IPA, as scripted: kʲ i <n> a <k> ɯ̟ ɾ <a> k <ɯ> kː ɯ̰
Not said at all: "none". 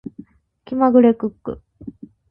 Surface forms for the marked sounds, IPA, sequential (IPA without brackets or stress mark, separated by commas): m, ɡ, e, ɯ